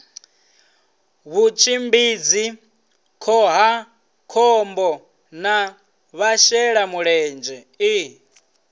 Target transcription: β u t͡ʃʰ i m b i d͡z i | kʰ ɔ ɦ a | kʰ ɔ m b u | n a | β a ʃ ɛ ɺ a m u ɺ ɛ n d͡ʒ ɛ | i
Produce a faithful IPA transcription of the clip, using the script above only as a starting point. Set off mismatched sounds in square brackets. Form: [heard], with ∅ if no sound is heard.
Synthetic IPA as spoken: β u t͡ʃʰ i m b i d͡z i | kʰ ɔ ɦ a | kʰ ɔ m b [ɔ] | n a | β a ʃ ɛ ɺ a m u ɺ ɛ n d͡ʒ ɛ | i